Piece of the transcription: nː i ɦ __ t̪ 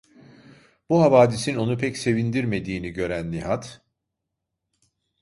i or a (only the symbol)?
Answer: a